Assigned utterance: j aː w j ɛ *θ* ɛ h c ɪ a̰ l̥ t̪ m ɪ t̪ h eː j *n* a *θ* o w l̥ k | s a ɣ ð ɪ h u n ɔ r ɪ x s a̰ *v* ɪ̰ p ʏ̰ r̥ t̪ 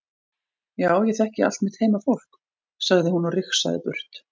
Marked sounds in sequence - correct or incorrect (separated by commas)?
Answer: correct, incorrect, incorrect, incorrect